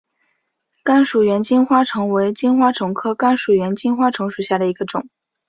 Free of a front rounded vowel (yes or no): yes